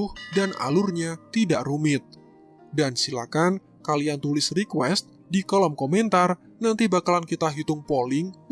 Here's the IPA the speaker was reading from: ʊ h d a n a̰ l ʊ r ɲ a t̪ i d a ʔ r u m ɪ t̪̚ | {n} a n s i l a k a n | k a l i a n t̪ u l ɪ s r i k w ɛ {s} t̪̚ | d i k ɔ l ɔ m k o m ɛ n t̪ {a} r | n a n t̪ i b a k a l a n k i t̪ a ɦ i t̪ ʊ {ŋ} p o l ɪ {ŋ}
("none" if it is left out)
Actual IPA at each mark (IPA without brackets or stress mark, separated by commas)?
d, s, a, ŋ, ŋ